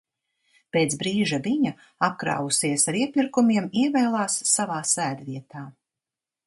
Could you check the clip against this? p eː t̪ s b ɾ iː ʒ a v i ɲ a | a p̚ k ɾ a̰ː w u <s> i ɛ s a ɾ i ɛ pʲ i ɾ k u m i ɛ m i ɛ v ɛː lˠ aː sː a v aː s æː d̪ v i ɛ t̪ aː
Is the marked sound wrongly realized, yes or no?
no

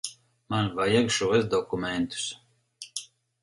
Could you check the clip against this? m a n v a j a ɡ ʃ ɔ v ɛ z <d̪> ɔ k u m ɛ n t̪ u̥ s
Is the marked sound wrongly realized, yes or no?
no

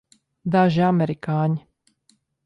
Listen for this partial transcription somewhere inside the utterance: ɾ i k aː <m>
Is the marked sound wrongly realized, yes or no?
yes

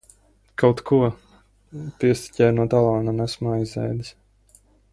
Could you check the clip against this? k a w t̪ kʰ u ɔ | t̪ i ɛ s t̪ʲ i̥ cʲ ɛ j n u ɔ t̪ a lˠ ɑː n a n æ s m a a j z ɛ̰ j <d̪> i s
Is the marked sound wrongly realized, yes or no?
no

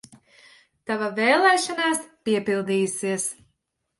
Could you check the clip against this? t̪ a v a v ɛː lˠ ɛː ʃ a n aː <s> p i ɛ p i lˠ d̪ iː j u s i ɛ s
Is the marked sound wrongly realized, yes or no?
no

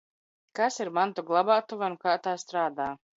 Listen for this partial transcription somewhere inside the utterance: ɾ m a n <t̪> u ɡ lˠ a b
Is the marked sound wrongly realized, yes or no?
no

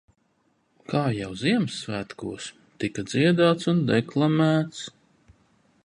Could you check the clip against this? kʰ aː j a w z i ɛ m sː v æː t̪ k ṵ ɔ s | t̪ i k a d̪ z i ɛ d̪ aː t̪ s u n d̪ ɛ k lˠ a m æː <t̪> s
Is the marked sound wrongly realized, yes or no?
no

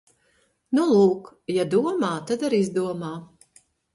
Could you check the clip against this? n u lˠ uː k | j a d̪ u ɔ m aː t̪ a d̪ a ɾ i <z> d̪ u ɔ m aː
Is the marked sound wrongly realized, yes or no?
no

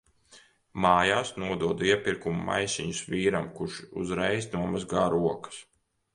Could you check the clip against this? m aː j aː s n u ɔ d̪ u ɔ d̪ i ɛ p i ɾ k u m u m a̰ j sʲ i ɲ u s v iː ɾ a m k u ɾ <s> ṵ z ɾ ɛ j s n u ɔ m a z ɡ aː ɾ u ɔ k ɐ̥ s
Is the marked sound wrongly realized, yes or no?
yes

